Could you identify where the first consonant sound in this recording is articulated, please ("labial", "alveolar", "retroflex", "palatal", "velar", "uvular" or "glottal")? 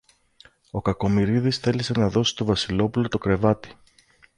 velar